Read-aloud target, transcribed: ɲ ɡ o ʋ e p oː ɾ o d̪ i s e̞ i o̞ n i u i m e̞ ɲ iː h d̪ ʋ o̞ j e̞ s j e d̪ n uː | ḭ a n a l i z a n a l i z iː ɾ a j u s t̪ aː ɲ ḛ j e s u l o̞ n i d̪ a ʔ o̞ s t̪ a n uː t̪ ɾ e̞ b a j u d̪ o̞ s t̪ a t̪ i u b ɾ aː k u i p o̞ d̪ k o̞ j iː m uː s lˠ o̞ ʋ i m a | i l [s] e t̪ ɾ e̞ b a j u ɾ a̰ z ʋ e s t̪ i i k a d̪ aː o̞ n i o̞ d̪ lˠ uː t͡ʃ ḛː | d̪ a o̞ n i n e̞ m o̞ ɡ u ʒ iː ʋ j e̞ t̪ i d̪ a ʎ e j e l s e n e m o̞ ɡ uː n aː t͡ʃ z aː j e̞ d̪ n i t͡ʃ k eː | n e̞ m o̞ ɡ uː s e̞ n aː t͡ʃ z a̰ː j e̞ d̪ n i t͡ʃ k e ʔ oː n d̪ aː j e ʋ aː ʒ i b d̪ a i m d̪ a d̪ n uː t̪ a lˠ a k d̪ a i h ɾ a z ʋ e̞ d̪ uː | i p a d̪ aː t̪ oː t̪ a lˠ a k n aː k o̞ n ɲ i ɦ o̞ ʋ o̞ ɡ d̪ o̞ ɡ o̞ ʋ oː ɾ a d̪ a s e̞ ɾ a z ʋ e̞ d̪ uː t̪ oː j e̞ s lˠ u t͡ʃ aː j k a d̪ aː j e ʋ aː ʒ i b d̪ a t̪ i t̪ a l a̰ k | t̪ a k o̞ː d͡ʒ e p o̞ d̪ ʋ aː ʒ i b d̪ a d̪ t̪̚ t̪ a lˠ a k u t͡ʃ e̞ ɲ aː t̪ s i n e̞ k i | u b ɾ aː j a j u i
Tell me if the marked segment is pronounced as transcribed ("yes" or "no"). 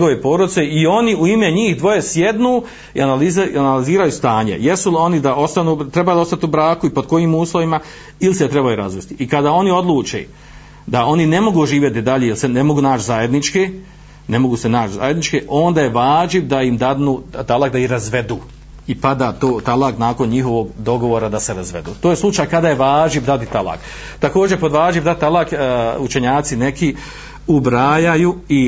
yes